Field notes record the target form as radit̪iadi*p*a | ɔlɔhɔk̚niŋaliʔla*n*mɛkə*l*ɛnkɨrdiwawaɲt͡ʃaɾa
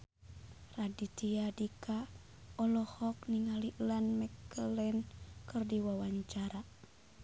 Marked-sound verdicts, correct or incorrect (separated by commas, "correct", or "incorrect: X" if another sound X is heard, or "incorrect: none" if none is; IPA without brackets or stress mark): incorrect: k, correct, correct